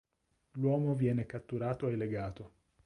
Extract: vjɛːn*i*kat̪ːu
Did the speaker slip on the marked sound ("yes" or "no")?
yes